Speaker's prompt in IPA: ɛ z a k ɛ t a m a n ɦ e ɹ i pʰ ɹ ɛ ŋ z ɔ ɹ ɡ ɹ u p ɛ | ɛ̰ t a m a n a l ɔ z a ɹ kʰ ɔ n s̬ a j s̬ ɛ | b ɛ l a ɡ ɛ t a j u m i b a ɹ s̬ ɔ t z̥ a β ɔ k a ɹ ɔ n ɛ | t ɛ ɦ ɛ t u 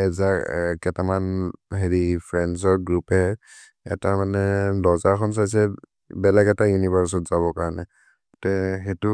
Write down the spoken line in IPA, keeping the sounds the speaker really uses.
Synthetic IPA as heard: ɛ z a k ɛ t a m a n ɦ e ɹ i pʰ ɹ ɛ n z ɔ ɹ ɡ ɹ u p ɛ | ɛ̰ t a m a n ɛ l ɔ z a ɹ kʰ ɔ n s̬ a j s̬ ɛ | b ɛ l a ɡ ɛ t a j u n i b a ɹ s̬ ɔ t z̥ a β ɔ k a ɹ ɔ n ɛ | t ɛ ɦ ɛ t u